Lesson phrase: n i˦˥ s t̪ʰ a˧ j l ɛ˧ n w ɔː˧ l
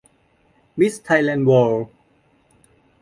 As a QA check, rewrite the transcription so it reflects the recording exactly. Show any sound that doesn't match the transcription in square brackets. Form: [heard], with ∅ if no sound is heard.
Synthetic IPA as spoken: [m] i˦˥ s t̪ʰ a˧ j l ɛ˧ n w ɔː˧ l